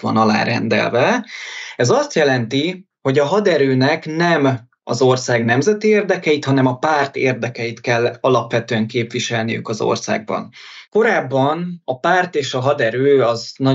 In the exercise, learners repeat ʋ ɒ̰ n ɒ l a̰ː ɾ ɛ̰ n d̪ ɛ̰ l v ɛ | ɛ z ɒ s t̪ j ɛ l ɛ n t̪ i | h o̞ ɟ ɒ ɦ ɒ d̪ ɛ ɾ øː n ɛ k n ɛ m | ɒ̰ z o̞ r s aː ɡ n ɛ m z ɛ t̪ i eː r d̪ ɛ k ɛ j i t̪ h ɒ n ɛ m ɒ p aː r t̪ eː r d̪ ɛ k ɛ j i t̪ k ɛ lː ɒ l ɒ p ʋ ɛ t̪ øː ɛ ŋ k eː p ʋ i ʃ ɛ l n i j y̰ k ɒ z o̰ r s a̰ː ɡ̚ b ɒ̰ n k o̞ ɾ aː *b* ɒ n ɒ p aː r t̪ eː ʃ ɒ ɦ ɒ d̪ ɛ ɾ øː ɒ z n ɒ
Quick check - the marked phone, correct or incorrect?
incorrect